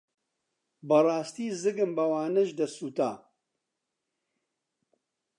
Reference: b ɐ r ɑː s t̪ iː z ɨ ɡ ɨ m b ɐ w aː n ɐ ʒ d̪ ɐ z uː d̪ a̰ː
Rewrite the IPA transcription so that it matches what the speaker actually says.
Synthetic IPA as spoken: b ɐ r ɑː s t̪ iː z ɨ ɡ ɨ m b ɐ w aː n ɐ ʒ d̪ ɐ s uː t̪ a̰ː